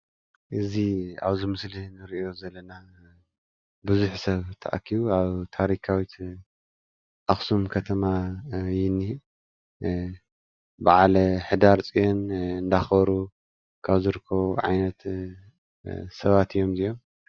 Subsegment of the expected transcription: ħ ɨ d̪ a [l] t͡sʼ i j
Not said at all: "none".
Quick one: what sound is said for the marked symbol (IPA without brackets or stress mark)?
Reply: ɾ